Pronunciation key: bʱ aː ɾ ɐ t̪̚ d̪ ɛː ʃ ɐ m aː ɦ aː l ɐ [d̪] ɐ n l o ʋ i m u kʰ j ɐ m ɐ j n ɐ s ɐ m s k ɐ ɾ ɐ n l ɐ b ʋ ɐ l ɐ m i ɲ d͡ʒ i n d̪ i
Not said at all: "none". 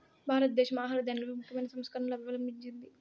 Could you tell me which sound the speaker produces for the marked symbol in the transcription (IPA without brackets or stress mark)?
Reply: d̪